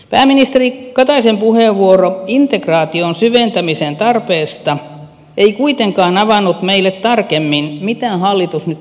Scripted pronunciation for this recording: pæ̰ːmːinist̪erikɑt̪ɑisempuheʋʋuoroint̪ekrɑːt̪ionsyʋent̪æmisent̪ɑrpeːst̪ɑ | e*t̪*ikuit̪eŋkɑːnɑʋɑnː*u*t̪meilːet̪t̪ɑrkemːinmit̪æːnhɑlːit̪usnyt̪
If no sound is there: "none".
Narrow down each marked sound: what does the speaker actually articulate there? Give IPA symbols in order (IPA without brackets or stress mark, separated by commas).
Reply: none, u